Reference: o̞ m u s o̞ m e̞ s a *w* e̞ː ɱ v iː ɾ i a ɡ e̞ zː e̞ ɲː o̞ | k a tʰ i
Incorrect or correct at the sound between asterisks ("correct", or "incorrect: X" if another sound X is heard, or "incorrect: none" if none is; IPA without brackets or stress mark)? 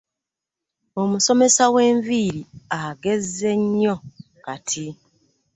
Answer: correct